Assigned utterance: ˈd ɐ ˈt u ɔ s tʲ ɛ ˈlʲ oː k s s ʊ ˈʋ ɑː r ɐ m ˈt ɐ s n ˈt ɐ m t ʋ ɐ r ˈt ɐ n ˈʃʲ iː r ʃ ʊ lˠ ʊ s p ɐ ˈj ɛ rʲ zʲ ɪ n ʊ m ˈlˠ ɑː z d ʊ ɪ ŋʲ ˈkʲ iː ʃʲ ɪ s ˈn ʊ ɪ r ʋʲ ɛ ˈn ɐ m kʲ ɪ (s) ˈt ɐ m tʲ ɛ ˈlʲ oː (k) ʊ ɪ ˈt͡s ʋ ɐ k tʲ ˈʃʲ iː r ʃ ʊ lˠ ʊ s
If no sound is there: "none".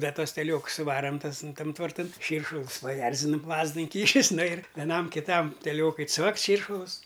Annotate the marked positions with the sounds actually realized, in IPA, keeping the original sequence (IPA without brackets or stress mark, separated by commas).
none, k